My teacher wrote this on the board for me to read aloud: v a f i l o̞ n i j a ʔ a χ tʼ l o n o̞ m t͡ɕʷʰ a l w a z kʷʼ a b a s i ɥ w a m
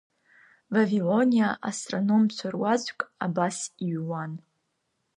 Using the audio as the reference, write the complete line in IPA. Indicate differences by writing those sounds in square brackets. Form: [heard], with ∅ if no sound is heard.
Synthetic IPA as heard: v a [v] i l o̞ n i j a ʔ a [s] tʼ [r] o n o̞ m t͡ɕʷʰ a [r] w a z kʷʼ a b a s i ɥ w a [n]

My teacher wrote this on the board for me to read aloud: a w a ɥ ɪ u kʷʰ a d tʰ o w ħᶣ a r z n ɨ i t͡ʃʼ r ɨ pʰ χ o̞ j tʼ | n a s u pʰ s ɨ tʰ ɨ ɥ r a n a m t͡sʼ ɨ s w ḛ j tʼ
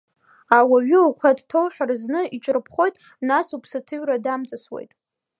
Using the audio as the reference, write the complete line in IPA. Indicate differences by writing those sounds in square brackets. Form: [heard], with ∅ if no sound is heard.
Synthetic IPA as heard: a w a ɥ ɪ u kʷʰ a d tʰ o w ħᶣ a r z n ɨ i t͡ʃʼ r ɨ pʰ χ o̞ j tʼ | n a s u pʰ s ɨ tʰ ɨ ɥ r a [d] a m t͡sʼ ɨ s w ḛ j tʼ

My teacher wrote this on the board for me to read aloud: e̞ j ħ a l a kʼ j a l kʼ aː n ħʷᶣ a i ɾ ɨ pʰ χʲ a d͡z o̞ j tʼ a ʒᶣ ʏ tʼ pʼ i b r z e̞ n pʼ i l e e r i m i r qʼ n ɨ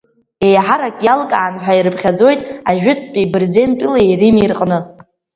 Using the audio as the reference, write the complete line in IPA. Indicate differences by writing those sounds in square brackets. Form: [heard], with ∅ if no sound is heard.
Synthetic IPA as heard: e̞ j ħ a [ɾ] a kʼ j a l kʼ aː n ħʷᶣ a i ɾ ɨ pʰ χʲ a d͡z o̞ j tʼ a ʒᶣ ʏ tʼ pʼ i b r z e̞ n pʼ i l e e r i m i r qʼ n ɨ

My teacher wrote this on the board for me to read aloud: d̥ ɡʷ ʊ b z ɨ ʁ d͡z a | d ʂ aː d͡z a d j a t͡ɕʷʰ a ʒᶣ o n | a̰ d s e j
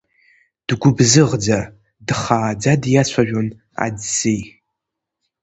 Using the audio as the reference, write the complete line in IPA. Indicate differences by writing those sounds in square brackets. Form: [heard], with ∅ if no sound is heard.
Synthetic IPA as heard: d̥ ɡʷ ʊ b z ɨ ʁ d͡z a | d [χ] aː d͡z a d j a t͡ɕʷʰ a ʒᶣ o n | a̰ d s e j

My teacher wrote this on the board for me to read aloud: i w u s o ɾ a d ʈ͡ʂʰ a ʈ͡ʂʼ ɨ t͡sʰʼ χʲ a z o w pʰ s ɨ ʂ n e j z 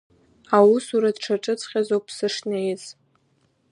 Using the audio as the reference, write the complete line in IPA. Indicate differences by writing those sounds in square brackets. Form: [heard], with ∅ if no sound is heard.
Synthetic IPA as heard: [a] w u s [u] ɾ a d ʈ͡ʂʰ a ʈ͡ʂʼ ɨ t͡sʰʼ χʲ a z o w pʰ s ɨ ʂ n e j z

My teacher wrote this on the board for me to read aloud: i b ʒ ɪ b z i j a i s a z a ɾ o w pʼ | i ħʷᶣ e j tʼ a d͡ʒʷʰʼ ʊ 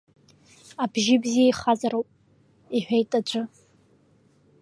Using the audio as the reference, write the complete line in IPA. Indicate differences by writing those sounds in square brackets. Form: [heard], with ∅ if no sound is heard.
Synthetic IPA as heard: [a] b ʒ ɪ b z i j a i [χ] a z a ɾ o w pʼ | i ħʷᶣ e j tʼ a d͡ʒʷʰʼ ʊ

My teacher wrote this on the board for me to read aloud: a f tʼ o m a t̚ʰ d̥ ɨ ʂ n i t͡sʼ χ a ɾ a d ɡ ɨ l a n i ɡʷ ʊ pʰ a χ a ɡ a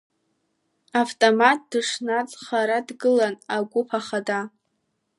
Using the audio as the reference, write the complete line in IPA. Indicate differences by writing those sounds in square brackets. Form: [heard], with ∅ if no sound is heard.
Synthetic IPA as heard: a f tʼ o m a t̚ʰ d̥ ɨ ʂ n [a] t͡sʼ χ a ɾ a d ɡ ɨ l a n [a] ɡʷ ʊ pʰ a χ a [d] a

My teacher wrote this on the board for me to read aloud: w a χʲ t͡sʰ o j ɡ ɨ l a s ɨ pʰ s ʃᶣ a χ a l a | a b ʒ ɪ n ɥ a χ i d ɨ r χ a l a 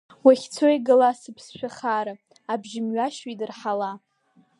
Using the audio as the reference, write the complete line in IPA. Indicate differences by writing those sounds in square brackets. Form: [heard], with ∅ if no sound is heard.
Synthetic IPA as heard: w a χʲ t͡sʰ o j ɡ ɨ l a s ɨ pʰ s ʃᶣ a χ a [ɾ] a | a b ʒ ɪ [m] ɥ a [ʃ] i d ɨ r [ħ] a l a

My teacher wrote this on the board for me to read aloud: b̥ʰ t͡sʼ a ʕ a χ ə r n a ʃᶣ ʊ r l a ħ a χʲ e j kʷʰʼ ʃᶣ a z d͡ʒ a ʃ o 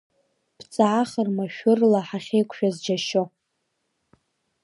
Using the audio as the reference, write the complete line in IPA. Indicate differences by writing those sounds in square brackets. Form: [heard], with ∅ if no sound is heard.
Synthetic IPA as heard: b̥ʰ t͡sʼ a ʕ a χ ə r [m] a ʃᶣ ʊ r l a ħ a χʲ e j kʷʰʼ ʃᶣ a z d͡ʒ a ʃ o

